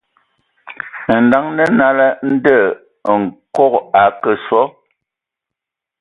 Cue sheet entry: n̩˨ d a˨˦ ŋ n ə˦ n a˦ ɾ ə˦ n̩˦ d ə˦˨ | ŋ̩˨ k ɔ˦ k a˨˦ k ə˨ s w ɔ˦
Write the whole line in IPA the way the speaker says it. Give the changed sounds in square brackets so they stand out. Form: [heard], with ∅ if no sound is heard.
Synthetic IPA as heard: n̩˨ d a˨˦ ŋ n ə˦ n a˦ [l] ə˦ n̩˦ d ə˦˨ | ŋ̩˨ k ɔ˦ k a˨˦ k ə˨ s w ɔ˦